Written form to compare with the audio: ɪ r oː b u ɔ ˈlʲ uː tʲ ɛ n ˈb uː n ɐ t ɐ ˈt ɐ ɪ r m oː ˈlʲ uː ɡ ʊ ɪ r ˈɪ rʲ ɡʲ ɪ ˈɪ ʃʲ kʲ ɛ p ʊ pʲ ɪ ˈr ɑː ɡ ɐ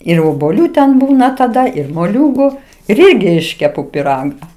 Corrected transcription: ɪ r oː b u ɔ ˈlʲ uː tʲ ɛ n ˈb uː n ɐ t ɐ ˈd ɐ ɪ r m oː ˈlʲ uː ɡ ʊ ɪ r ˈɪ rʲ ɡʲ ɪ ˈɪ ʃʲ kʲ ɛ p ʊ pʲ ɪ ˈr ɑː ɡ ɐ